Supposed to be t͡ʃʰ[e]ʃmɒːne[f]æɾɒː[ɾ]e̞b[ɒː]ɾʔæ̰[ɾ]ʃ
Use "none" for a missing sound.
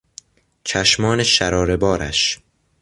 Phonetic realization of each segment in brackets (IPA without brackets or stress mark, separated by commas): æ, ʃ, ɾ, ɒː, none